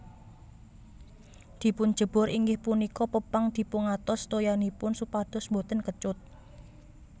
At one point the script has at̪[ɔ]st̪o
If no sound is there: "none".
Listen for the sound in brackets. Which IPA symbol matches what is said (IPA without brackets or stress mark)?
ɔ